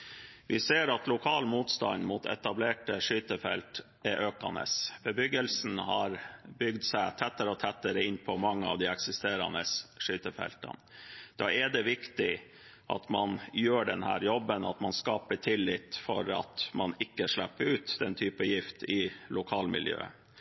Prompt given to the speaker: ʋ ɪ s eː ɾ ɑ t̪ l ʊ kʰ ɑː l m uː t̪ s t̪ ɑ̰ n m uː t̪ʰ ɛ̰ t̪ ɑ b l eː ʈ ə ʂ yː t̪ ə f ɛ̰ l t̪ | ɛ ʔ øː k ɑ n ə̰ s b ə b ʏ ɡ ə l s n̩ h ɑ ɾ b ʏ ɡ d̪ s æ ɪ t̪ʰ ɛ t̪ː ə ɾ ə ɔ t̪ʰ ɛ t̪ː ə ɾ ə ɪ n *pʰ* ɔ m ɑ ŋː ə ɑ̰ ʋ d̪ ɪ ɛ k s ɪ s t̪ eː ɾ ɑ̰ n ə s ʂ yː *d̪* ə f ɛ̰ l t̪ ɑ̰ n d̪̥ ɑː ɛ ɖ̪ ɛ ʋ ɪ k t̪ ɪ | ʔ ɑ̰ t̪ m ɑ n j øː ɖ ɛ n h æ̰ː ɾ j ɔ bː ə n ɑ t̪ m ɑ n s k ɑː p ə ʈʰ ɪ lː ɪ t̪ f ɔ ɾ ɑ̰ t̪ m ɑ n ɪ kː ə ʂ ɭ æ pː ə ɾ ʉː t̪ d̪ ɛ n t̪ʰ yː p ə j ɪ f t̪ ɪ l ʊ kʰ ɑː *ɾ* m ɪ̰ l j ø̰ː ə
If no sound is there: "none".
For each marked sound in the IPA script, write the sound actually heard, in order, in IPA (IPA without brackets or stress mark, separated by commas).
pʰ, t̪, l